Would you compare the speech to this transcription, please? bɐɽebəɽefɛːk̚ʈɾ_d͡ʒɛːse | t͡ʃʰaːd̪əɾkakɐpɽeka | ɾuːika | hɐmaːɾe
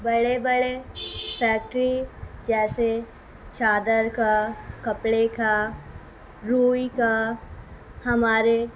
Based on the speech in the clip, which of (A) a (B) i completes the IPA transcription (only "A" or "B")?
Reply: B